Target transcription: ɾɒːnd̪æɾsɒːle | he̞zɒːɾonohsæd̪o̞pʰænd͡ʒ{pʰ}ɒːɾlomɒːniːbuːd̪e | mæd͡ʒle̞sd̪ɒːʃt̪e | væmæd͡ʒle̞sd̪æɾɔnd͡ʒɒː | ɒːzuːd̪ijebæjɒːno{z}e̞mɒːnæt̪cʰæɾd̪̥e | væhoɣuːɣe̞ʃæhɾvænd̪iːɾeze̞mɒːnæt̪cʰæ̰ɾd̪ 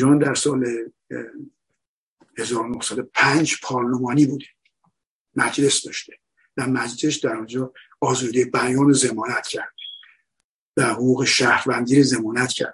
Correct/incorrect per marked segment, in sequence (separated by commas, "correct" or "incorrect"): correct, correct